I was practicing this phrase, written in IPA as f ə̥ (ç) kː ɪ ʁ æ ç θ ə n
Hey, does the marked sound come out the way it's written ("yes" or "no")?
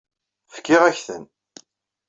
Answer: no